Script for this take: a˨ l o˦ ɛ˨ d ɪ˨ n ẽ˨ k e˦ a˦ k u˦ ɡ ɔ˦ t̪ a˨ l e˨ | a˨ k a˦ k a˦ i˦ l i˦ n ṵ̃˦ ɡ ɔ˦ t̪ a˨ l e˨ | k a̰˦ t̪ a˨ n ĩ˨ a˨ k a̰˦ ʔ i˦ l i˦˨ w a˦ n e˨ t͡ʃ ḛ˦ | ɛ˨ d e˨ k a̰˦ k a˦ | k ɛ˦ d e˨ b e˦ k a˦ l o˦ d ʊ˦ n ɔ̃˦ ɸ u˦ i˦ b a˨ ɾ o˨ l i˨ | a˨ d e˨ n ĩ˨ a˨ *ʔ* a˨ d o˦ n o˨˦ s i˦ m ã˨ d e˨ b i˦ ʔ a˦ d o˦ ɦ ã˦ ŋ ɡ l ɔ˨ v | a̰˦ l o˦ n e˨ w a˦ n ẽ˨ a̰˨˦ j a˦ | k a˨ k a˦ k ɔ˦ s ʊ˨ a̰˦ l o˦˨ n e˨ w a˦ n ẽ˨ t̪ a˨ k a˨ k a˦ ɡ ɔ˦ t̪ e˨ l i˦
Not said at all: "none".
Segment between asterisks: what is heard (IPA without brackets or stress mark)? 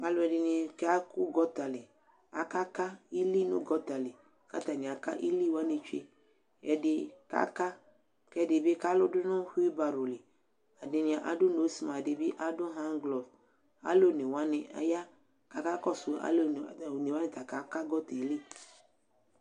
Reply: ʔ